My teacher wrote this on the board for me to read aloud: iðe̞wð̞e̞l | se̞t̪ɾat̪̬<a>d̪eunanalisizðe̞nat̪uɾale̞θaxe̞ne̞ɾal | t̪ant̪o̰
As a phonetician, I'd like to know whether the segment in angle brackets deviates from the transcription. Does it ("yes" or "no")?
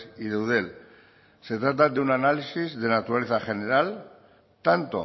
no